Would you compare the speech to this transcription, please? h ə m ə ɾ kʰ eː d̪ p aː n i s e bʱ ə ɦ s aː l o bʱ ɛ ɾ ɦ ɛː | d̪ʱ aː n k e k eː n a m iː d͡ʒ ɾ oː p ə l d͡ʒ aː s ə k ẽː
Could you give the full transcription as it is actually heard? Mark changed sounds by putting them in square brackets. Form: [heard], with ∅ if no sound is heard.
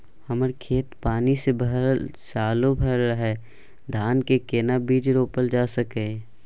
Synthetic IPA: h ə m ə ɾ kʰ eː [t̪] p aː n i s e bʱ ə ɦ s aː l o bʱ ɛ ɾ ɦ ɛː | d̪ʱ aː n k e k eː n a [b] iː d͡ʒ ɾ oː p ə l d͡ʒ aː s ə k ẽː